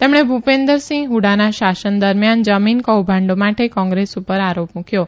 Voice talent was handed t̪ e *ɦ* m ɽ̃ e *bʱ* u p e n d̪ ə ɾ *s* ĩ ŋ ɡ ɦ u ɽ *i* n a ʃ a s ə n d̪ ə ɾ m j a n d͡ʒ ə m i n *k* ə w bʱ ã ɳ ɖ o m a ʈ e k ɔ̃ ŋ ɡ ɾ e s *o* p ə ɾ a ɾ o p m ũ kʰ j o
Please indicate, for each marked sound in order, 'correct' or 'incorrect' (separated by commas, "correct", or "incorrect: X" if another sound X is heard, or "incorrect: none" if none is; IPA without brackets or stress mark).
incorrect: none, correct, correct, incorrect: a, correct, incorrect: u